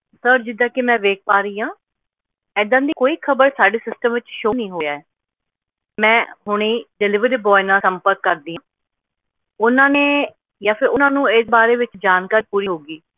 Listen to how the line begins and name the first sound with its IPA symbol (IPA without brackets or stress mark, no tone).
s